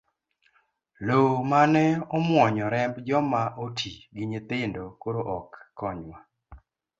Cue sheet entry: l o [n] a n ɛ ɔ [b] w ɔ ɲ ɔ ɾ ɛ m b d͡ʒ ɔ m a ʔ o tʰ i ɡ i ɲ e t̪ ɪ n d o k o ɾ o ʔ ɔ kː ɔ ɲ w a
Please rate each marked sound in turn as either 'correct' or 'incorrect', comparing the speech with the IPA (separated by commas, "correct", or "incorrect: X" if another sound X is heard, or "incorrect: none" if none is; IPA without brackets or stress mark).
incorrect: m, incorrect: m